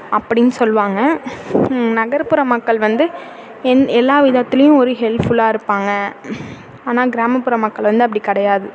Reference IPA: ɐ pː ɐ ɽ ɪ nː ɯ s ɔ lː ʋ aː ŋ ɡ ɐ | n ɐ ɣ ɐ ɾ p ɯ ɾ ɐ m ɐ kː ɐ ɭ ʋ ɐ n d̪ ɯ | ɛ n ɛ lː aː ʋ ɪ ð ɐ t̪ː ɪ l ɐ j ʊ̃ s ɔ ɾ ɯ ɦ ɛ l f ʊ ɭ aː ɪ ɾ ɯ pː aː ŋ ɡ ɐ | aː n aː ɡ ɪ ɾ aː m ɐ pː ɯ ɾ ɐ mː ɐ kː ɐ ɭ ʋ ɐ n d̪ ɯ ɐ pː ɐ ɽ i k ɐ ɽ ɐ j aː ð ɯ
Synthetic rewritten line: ɐ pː ɐ ɽ ɪ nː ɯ s ɔ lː ʋ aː ŋ ɡ ɐ | n ɐ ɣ ɐ ɾ p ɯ ɾ ɐ m ɐ kː ɐ ɭ ʋ ɐ n d̪ ɯ | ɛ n ɛ lː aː ʋ ɪ ð ɐ t̪ː ɪ l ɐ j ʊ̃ ɔ ɾ ɯ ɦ ɛ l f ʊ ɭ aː ɪ ɾ ɯ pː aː ŋ ɡ ɐ | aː n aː ɡ ɪ ɾ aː m ɐ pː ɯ ɾ ɐ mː ɐ kː ɐ ɭ ʋ ɐ n d̪ ɯ ɐ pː ɐ ɽ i k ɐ ɽ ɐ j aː ð ɯ